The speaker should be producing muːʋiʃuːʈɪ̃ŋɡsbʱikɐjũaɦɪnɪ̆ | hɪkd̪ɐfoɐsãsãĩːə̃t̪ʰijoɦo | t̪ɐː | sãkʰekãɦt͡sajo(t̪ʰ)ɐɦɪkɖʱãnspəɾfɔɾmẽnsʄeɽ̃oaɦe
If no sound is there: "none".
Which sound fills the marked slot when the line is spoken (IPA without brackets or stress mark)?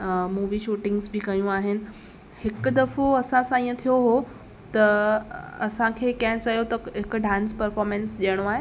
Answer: t̪